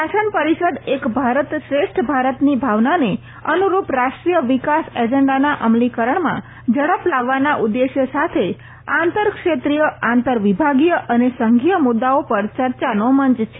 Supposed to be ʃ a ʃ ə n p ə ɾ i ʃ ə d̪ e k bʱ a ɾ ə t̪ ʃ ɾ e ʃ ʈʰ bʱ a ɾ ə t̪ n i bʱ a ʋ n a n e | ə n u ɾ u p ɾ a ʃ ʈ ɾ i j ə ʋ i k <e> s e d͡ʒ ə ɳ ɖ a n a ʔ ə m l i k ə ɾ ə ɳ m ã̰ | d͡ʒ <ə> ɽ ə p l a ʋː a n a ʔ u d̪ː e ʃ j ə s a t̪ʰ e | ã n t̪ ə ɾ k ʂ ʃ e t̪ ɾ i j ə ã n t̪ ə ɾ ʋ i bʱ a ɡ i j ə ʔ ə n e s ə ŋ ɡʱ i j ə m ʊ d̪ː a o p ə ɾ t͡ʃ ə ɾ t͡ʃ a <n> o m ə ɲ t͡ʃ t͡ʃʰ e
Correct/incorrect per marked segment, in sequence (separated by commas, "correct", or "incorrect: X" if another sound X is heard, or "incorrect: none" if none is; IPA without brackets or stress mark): incorrect: a, correct, correct